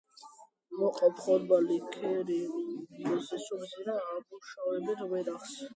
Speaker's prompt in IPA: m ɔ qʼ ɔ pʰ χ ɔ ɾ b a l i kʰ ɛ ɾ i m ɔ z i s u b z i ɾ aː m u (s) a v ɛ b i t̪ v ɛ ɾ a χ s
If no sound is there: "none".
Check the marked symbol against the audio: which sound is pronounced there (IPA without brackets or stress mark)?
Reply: ʃ